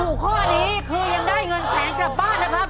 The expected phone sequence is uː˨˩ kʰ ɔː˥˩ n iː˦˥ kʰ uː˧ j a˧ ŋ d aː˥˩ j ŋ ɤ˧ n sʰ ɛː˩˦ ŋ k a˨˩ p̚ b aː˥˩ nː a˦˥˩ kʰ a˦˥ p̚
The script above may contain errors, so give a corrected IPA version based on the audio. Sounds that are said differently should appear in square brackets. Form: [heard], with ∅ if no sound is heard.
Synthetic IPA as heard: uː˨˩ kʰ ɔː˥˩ n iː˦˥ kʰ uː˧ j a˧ ŋ d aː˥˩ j ŋ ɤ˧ n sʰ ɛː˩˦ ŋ k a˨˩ p̚ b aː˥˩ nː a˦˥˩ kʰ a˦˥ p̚